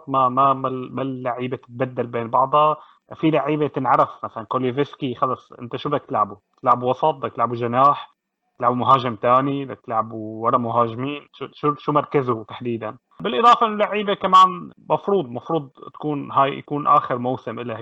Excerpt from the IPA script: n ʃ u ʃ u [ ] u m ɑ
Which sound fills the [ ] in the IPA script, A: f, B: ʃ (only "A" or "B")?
B